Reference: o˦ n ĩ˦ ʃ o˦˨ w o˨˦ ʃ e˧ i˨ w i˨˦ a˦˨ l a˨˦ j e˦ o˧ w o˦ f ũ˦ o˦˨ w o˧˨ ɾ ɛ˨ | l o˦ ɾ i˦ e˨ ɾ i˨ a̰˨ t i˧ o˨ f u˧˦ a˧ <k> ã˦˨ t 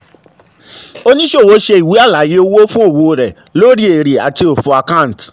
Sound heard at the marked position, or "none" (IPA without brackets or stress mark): k